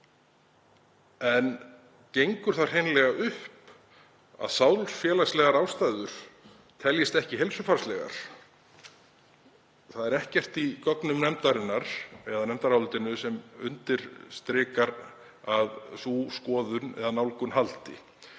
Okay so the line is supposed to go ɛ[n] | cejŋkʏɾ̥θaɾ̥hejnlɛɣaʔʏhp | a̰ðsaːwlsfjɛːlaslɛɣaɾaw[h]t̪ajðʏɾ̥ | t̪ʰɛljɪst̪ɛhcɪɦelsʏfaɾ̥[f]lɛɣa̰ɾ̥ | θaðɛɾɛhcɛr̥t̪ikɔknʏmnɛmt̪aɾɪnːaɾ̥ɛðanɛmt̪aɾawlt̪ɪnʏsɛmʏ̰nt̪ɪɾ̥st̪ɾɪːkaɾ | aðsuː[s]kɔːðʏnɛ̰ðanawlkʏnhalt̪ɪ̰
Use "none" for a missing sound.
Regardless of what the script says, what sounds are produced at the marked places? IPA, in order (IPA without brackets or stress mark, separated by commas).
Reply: n, s, s, s